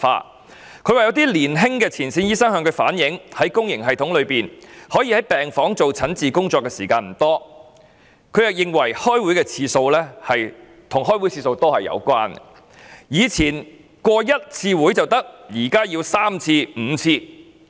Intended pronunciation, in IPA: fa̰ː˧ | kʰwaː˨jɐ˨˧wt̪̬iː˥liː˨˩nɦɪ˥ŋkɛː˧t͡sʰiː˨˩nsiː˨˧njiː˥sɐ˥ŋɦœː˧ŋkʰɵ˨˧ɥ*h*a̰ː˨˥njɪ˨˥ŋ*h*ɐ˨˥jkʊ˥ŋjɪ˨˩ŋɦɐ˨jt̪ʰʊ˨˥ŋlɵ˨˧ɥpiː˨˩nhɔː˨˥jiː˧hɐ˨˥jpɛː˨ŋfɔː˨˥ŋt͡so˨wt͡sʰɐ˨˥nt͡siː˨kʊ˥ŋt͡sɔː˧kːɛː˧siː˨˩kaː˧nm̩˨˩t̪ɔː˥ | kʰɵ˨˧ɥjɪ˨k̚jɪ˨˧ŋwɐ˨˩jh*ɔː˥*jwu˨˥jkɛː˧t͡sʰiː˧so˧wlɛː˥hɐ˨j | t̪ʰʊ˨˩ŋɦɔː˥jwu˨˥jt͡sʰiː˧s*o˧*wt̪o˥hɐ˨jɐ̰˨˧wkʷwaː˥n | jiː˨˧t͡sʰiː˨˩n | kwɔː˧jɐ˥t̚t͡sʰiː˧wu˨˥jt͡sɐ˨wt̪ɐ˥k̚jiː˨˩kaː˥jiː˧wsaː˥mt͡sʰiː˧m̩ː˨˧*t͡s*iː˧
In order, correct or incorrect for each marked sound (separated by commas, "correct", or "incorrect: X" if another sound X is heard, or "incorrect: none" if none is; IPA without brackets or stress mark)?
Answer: incorrect: f, correct, correct, correct, incorrect: t͡sʰ